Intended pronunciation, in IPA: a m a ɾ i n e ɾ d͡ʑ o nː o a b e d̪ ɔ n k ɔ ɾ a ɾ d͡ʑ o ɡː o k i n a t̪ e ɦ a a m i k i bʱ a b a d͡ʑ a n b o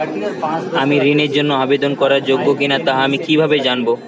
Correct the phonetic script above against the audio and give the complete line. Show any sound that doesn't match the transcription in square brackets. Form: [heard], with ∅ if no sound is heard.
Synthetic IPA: a m [i] ɾ i n e ɾ d͡ʑ o nː o a b e d̪ [o] n k ɔ ɾ a ɾ d͡ʑ o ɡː o k i n a t̪ [a] ɦ a a m i k i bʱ a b [e] d͡ʑ a n b o